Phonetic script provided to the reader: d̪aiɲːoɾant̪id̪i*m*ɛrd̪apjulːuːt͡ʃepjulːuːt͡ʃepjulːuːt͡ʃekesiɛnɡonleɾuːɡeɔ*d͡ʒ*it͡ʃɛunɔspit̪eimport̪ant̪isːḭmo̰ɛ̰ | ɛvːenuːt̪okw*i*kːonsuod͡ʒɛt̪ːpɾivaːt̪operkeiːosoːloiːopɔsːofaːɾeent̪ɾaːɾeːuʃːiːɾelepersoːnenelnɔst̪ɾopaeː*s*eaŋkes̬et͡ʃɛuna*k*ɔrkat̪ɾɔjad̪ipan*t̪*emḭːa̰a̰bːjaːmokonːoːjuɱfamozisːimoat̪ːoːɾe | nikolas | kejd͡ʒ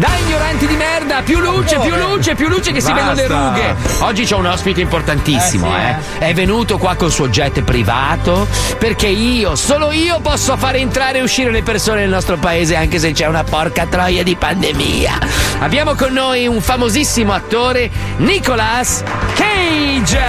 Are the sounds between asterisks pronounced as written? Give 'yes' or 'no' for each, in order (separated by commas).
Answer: yes, no, no, no, no, no